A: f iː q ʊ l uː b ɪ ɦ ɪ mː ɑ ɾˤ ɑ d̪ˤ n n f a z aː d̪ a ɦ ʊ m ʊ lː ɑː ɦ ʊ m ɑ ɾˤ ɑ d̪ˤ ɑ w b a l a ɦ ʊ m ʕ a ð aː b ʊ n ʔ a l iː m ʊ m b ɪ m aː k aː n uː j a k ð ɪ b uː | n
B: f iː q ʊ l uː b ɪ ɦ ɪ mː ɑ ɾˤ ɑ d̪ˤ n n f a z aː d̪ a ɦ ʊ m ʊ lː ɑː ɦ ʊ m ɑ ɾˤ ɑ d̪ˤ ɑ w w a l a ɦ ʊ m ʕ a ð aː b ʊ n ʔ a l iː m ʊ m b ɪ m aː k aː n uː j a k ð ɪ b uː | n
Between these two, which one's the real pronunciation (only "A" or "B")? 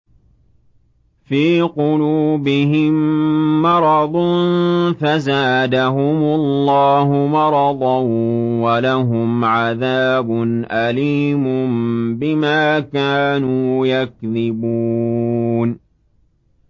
B